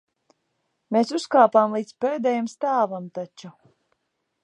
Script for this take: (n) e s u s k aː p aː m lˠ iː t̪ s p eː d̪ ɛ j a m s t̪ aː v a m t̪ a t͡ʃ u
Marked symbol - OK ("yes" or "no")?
no